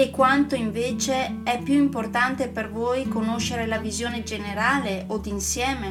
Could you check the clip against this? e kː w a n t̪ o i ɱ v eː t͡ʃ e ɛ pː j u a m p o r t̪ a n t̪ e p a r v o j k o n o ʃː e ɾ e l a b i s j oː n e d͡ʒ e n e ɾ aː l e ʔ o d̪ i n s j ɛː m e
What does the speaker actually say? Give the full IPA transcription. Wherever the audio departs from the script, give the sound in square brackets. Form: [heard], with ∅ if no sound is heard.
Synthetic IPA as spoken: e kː w a n t̪ o i ɱ v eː t͡ʃ e ɛ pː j u [i] m p o r t̪ a n t̪ e p [e] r v o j k o n o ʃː e ɾ e l a [v] i [z] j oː n e d͡ʒ e n e ɾ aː l e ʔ o d̪ i n s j ɛː m e